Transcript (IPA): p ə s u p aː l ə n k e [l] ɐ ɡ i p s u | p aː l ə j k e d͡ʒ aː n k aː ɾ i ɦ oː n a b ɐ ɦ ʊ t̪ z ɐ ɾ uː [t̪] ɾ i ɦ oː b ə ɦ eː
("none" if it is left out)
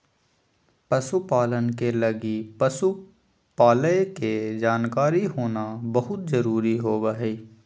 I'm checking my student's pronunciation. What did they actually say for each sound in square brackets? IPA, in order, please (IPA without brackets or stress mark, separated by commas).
l, none